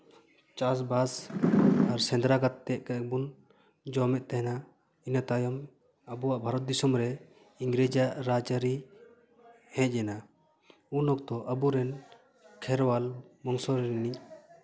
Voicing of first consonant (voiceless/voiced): voiceless